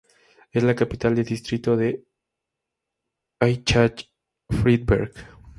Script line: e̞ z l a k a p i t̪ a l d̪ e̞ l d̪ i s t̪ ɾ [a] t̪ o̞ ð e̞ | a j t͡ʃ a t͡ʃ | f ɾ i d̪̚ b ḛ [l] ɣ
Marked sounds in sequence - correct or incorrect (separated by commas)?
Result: incorrect, incorrect